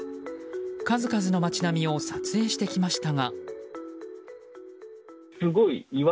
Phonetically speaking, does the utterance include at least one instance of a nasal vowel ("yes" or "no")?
no